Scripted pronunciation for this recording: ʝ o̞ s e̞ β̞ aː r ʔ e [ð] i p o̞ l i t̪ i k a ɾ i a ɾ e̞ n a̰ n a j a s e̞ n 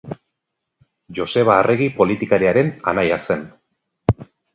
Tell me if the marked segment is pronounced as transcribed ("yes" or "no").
no